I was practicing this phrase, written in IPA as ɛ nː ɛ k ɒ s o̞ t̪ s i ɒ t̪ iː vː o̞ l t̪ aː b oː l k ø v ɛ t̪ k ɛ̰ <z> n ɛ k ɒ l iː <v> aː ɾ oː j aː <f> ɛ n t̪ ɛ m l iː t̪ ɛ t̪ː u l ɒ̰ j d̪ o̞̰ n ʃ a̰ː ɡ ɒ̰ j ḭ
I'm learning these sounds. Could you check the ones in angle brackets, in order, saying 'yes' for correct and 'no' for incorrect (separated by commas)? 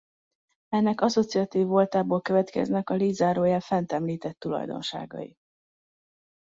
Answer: yes, no, yes